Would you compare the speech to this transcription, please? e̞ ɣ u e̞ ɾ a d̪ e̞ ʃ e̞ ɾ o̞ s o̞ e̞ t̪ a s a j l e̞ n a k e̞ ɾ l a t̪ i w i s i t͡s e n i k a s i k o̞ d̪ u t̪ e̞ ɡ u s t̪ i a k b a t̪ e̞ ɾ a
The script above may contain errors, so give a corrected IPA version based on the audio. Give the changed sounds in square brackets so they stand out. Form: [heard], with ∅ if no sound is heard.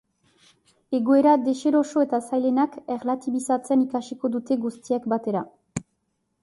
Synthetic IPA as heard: e̞ ɣ [o] e̞ ɾ a d̪ e̞ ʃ e̞ ɾ o̞ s o̞ e̞ t̪ a s a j l e̞ n a k e̞ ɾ l a t̪ i [β] i s [a] t͡s e n i k a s i k o̞ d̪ u t̪ e̞ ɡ u s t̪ i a k b a t̪ e̞ ɾ a